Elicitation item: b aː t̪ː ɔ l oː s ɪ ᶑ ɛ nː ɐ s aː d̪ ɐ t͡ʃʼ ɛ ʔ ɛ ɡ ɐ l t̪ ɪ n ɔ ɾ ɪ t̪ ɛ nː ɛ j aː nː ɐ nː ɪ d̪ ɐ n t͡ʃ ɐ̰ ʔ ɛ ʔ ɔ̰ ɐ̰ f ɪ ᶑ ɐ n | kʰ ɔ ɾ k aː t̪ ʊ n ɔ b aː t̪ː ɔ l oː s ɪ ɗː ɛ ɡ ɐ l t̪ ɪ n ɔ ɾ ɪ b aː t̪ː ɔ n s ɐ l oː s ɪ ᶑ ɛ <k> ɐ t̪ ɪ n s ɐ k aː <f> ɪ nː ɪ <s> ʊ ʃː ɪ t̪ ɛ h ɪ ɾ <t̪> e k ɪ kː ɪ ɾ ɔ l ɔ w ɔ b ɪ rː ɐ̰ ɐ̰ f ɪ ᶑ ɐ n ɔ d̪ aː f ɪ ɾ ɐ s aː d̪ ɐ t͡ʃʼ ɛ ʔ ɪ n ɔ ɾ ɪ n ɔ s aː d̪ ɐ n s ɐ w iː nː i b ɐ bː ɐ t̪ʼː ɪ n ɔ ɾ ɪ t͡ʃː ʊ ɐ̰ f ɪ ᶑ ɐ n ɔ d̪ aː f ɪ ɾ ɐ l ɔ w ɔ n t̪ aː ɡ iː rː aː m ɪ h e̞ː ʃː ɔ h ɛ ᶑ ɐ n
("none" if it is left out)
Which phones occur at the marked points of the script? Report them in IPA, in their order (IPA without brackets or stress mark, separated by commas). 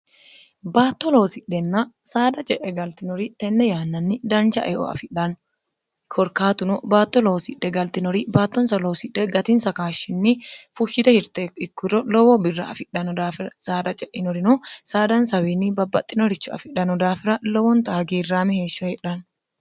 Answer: ɡ, ʃ, f, t̪